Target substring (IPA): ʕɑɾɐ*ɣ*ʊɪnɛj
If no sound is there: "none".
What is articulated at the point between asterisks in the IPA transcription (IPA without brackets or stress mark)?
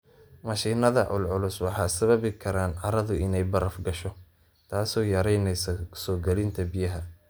ð